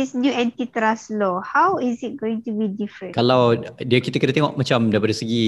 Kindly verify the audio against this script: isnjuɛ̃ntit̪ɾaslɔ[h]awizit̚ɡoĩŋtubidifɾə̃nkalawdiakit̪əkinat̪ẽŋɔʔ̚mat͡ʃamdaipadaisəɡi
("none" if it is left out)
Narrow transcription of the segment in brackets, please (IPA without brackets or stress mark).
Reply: h